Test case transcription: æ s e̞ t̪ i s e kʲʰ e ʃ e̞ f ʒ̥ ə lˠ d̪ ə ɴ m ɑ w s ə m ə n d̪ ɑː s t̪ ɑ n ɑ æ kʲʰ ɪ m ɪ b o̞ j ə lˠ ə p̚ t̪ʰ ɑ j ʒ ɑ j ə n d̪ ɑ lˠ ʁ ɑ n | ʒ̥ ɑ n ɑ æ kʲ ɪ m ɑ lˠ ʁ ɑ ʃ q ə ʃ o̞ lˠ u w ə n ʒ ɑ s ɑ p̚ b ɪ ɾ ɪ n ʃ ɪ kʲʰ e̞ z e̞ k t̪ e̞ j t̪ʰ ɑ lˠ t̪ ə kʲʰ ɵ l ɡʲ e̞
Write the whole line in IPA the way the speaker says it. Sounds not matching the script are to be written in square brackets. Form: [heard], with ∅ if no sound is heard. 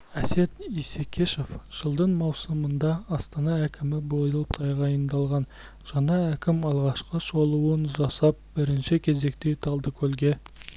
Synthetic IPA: æ s e̞ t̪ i s e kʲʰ e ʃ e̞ f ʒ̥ ə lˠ d̪ ə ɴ m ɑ w s ə m ə n d̪ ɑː s t̪ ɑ n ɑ æ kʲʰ ɪ m ɪ b o̞ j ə lˠ ə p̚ t̪ʰ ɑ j [ʁ] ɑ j ə n d̪ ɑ lˠ ʁ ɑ n | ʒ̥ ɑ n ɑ æ kʲ ɪ m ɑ lˠ ʁ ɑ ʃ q ə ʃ o̞ lˠ u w ə n ʒ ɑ s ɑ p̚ b ɪ ɾ ɪ n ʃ ɪ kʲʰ e̞ z e̞ k t̪ e̞ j t̪ʰ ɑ lˠ [d̪] ə kʲʰ ɵ l ɡʲ e̞

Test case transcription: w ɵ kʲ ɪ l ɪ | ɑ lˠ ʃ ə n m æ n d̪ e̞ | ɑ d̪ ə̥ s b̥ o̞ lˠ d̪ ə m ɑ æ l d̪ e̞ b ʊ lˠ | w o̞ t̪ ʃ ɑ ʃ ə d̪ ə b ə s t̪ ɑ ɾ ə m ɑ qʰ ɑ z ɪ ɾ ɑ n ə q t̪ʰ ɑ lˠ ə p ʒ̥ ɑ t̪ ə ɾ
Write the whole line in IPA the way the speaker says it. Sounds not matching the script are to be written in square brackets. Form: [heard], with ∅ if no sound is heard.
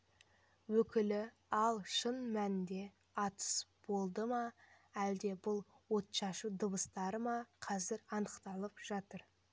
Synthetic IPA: w ɵ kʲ ɪ l ɪ | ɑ lˠ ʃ ə n m æ n d̪ e̞ | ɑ [t̪] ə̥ s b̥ o̞ lˠ d̪ ə m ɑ æ l d̪ e̞ b ʊ lˠ | w o̞ t̪ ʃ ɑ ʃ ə d̪ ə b ə s t̪ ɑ ɾ ə m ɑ qʰ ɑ z ɪ ɾ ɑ n ə q [t̪] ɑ lˠ ə p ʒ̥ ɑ t̪ ə ɾ

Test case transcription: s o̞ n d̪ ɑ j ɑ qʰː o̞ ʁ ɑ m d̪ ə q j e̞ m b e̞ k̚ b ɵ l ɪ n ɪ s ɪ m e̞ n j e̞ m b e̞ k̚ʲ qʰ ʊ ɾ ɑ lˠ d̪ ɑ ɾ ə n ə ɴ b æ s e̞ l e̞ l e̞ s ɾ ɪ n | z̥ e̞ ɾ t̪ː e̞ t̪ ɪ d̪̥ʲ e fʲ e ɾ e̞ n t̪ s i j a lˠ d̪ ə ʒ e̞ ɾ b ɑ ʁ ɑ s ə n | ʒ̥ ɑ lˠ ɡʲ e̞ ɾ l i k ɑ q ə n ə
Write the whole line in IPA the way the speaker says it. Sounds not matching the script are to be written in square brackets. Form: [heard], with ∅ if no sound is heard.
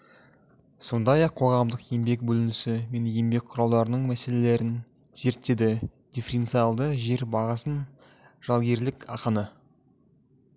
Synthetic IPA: s o̞ n d̪ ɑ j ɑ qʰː o̞ ʁ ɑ m d̪ ə q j e̞ m b e̞ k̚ b ɵ l ɪ n ɪ s ɪ m e̞ n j e̞ m b e̞ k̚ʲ qʰ ʊ ɾ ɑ lˠ d̪ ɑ ɾ ə n ə ɴ [m] æ s e̞ l e̞ l e̞ [∅] ɾ ɪ n | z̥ e̞ ɾ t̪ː e̞ [d̪] ɪ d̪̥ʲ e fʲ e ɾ e̞ n t̪ s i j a lˠ d̪ ə ʒ e̞ ɾ b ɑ ʁ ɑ s ə n | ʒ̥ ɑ lˠ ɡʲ e̞ ɾ l [ɪ] k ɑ q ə n ə

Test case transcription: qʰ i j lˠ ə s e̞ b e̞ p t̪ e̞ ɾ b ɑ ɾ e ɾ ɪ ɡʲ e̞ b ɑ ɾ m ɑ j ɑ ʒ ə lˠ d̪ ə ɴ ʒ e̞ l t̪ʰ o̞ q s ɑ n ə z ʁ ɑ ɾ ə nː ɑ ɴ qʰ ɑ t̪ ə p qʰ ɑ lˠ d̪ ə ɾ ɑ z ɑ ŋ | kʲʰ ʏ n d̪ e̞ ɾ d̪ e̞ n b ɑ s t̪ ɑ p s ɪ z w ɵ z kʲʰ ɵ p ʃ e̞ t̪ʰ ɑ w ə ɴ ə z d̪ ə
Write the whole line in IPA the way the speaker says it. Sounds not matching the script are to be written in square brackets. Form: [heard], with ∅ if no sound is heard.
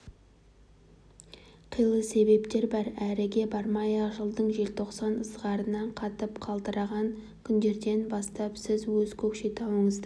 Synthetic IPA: qʰ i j lˠ ə s e̞ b e̞ p t̪ e̞ ɾ b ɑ ɾ [æ] ɾ ɪ ɡʲ e̞ b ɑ ɾ m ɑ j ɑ ʒ ə lˠ d̪ ə ɴ ʒ e̞ l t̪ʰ o̞ q s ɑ n ə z ʁ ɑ ɾ ə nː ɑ ɴ qʰ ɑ t̪ ə p qʰ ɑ lˠ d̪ ə ɾ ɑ [ʁ] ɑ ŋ | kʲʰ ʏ n d̪ e̞ ɾ d̪ e̞ n b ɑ s t̪ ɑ p s ɪ z w ɵ z kʲʰ ɵ p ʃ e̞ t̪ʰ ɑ w ə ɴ ə z d̪ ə

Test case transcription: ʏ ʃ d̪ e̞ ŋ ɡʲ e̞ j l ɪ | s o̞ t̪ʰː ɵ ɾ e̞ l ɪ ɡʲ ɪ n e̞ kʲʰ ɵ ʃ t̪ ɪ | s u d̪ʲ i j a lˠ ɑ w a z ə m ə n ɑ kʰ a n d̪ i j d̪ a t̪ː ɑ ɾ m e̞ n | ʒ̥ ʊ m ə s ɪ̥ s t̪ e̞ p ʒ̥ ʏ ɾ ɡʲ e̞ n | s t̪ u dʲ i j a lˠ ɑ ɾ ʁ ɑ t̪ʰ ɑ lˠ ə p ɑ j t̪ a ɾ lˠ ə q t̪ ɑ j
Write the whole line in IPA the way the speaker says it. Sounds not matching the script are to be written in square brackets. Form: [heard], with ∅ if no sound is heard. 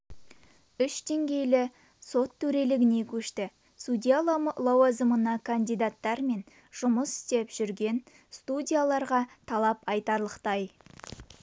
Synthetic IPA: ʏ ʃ d̪ e̞ ŋ ɡʲ e̞ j l ɪ | s o̞ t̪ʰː ɵ ɾ e̞ l ɪ ɡʲ ɪ n e̞ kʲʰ ɵ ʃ t̪ ɪ | s u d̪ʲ i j a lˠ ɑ w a z ə m ə n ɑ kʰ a n d̪ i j d̪ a t̪ː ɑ ɾ m e̞ n | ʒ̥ ʊ m ə s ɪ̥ s t̪ e̞ p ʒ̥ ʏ ɾ ɡʲ e̞ n | s t̪ u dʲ i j a lˠ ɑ ɾ ʁ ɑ t̪ʰ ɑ lˠ [ɑ] p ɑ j t̪ [ɑ] ɾ lˠ ə q t̪ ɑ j

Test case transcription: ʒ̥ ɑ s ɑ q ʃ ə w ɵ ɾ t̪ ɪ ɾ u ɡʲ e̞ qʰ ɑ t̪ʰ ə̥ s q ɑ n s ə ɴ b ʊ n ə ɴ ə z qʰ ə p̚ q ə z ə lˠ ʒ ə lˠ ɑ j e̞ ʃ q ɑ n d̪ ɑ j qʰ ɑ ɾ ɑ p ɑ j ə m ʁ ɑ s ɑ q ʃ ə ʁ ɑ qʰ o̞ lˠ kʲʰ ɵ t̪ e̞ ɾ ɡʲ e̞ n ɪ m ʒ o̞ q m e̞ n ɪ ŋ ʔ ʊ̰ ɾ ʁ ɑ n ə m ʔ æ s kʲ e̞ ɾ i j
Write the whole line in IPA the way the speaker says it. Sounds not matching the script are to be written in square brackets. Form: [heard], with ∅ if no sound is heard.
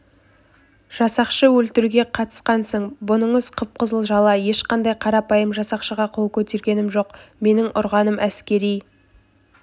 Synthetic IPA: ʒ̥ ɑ s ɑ q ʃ ə w ɵ [l] t̪ ɪ ɾ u ɡʲ e̞ qʰ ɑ [t̪] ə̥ s q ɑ n s ə ɴ b ʊ n ə ɴ ə z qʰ ə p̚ q ə z ə lˠ ʒ [ɑ] lˠ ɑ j e̞ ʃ q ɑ n d̪ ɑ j qʰ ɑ ɾ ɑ p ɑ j ə m [ʒ] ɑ s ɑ q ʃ ə ʁ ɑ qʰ o̞ lˠ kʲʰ ɵ t̪ e̞ ɾ ɡʲ e̞ n ɪ m ʒ o̞ q m e̞ n ɪ ŋ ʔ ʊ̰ ɾ ʁ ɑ n ə m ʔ æ s kʲ e̞ ɾ i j

